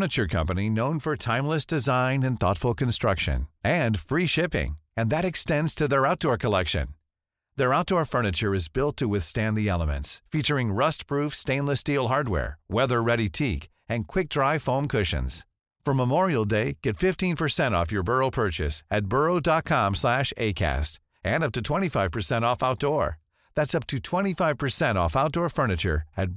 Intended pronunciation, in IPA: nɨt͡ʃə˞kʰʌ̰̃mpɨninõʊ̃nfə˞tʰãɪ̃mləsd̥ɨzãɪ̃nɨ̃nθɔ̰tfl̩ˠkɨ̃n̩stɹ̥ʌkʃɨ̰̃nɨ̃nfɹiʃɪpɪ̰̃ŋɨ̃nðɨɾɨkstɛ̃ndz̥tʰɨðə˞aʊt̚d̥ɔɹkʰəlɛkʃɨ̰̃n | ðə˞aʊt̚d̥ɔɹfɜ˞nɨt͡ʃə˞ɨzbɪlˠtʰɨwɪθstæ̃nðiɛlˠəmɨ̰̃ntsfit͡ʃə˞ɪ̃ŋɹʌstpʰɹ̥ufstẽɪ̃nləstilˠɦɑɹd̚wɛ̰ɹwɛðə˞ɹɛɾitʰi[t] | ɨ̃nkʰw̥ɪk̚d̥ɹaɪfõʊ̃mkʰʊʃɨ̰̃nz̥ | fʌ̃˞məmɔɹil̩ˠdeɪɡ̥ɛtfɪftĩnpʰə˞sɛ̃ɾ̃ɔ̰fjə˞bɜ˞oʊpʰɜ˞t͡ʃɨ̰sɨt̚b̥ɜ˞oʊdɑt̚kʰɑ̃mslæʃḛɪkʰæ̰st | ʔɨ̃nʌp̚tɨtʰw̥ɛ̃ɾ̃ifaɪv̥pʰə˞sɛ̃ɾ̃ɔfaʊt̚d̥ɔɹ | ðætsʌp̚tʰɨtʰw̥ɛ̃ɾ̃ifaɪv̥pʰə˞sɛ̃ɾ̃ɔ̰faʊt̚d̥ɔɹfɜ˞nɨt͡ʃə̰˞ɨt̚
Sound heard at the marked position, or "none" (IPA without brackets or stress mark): k